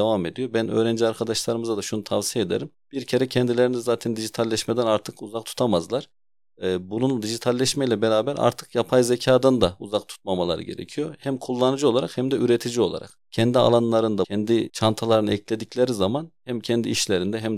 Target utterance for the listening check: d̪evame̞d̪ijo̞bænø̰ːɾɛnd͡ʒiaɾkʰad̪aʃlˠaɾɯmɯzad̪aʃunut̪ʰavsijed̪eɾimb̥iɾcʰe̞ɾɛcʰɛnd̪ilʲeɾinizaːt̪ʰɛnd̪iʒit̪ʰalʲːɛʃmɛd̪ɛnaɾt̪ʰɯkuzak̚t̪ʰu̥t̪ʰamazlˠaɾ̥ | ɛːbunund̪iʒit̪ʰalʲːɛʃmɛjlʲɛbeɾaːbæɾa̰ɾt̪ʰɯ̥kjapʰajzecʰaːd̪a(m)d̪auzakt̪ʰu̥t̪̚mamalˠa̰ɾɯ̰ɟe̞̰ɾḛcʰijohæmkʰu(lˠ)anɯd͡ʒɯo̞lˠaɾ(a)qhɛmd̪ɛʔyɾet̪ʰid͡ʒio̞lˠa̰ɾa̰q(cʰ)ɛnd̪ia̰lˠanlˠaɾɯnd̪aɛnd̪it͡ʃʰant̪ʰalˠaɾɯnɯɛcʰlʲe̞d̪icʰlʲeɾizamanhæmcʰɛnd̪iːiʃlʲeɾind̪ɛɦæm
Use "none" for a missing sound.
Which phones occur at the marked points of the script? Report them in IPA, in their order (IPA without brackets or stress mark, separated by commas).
n, lˠː, a, cʰ